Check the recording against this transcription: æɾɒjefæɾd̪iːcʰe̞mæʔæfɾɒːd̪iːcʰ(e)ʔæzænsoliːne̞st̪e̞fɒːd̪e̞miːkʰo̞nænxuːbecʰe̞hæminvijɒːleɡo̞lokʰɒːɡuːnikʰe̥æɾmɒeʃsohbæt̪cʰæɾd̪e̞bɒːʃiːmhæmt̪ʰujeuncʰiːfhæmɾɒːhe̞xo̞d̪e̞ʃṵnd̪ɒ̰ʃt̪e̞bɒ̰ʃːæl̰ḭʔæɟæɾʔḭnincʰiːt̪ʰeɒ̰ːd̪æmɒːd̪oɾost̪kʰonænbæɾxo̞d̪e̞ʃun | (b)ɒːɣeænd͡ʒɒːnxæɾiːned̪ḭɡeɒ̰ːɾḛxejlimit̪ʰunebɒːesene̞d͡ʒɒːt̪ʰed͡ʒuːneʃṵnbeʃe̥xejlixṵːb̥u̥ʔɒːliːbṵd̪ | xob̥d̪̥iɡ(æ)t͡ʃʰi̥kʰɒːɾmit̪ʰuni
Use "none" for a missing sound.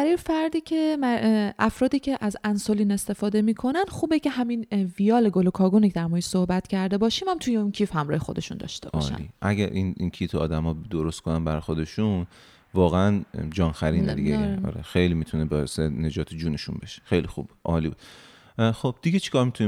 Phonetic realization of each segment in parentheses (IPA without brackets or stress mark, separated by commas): e, v, e